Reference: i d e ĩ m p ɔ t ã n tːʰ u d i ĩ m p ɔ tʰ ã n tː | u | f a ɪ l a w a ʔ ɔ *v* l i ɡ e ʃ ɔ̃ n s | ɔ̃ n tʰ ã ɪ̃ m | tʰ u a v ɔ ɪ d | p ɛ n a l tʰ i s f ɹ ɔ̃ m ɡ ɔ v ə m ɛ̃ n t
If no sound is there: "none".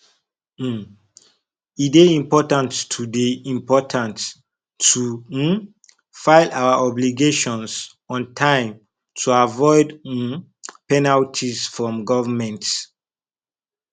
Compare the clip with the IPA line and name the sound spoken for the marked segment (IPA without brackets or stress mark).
b